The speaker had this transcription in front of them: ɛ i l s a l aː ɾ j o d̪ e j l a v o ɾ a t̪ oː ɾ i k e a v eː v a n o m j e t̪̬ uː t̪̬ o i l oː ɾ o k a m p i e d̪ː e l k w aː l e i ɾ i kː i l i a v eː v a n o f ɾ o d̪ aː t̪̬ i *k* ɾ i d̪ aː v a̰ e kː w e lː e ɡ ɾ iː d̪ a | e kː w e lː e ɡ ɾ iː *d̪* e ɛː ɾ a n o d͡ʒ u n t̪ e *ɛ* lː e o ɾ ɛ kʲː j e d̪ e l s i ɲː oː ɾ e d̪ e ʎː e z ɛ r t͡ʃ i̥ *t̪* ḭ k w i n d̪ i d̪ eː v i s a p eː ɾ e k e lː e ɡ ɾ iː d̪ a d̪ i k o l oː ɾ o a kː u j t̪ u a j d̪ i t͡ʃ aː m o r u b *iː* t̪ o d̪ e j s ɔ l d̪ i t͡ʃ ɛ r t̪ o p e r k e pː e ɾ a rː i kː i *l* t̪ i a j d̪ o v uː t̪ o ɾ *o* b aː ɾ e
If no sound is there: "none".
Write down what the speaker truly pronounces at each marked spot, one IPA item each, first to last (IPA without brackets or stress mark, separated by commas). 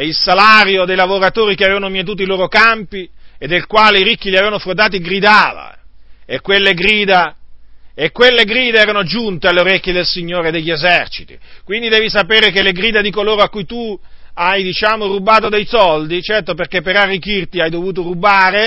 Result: ɡ, d̪, a, t̪, aː, r, u